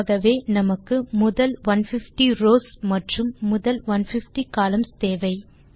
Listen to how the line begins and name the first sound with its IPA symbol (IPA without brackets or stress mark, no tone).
ɣ